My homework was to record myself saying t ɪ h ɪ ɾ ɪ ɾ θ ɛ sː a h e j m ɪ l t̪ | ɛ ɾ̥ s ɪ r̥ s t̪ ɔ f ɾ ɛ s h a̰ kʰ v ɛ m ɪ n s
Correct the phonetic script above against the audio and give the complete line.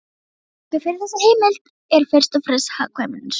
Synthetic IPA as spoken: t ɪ f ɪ ɾ ɪ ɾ θ ɛ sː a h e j m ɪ l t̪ | ɛ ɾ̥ f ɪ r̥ s t̪ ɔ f ɾ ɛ s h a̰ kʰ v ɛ m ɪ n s